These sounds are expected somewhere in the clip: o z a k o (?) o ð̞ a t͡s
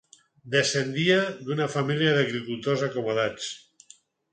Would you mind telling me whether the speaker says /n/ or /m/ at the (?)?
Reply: m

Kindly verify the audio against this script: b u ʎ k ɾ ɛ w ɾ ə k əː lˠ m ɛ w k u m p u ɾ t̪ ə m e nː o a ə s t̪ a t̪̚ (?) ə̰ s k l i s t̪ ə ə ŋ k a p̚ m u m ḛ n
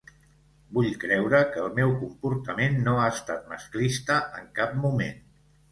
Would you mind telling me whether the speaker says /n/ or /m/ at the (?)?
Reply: m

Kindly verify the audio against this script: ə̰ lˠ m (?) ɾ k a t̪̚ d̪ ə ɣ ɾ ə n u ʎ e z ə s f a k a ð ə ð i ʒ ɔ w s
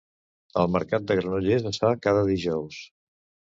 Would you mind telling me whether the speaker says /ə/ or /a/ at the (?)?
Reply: ə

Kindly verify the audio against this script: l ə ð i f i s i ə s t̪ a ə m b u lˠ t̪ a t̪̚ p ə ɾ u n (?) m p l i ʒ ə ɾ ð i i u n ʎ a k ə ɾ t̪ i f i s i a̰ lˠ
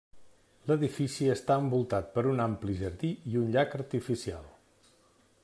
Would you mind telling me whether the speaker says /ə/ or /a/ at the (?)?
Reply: a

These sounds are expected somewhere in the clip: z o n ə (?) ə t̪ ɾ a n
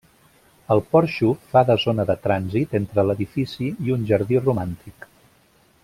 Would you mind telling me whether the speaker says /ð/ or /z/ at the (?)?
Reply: ð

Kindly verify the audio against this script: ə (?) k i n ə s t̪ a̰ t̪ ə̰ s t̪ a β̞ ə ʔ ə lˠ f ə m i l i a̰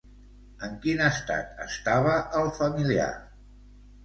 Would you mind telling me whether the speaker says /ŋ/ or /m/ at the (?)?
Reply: ŋ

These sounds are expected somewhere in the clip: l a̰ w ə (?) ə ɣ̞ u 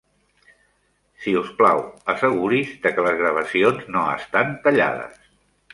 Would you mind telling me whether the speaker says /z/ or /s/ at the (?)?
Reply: s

